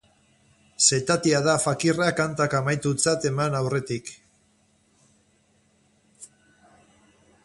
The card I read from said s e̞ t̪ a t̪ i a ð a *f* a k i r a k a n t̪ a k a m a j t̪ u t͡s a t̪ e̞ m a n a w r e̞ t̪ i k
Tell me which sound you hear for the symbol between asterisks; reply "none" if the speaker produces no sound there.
f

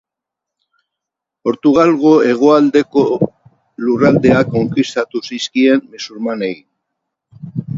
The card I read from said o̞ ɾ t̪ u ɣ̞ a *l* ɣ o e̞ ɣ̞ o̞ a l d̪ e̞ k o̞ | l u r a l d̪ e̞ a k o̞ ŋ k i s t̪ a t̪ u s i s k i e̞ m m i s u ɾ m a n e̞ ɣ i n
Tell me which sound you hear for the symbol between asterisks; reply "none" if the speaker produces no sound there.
l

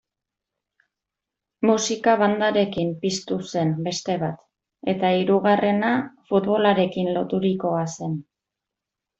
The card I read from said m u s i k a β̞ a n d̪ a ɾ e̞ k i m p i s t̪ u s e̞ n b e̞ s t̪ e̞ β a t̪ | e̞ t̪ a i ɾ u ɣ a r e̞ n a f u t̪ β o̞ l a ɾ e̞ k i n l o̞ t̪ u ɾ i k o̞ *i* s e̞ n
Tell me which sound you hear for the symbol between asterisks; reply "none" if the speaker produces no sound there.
a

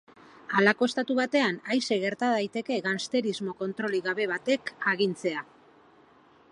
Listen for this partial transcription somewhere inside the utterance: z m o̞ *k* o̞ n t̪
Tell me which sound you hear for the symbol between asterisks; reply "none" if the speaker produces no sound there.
k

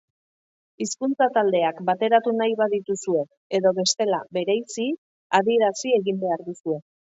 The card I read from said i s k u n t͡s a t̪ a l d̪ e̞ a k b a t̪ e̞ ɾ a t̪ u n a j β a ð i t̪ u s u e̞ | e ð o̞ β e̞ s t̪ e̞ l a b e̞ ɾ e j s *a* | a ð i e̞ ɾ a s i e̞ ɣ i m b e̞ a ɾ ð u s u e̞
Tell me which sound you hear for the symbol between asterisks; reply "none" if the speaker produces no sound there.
i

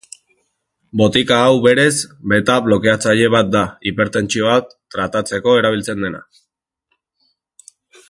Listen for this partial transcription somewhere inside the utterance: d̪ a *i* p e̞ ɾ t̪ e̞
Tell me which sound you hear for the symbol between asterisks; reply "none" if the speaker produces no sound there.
i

